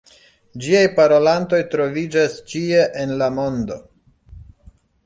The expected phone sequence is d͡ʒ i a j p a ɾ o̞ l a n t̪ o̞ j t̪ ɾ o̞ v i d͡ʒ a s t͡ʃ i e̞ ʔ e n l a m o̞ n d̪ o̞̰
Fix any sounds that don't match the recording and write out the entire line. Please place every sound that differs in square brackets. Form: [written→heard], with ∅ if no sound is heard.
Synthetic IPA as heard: d͡ʒ i a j p a ɾ o̞ l a n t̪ o̞ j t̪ ɾ o̞ v i d͡ʒ a s t͡ʃ i e̞ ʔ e n l a m o̞ n d̪ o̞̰